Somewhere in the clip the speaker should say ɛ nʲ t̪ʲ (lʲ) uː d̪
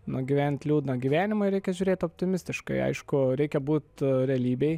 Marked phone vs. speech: correct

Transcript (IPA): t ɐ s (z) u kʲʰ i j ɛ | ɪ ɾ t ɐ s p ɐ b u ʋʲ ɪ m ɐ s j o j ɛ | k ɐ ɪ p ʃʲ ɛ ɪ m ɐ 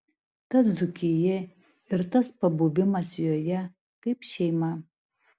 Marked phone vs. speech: correct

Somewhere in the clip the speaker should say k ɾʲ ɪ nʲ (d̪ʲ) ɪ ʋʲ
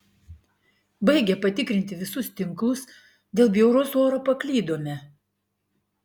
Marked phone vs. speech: incorrect: t̪ʲ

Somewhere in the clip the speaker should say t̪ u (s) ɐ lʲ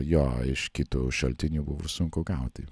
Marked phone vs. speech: incorrect: ʃ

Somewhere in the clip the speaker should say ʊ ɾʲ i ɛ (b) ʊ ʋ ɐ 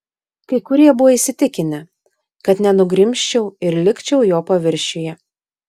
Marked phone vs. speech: correct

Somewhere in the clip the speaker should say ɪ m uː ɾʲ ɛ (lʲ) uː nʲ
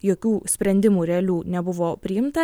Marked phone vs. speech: correct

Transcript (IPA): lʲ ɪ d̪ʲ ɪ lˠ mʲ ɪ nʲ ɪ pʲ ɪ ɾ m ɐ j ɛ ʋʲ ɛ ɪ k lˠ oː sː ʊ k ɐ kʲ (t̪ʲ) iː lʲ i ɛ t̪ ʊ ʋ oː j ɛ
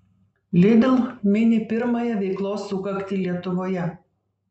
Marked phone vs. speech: correct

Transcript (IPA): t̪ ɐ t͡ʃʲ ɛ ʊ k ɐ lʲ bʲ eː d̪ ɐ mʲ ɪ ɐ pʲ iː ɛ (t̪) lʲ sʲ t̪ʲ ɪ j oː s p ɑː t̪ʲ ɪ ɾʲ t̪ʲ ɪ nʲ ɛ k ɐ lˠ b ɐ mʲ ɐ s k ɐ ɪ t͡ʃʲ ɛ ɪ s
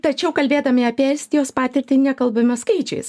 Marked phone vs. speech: incorrect: none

